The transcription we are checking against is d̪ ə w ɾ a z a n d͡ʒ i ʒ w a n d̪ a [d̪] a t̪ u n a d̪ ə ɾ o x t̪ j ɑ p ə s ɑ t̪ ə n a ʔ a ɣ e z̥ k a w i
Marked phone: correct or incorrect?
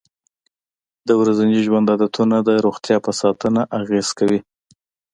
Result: correct